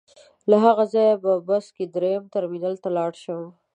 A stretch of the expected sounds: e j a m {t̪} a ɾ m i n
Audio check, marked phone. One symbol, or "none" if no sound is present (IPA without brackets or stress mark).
t̪